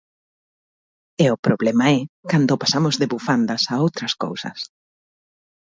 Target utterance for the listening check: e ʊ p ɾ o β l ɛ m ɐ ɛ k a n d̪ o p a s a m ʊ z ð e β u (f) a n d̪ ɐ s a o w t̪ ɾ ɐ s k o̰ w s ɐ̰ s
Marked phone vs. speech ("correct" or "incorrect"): correct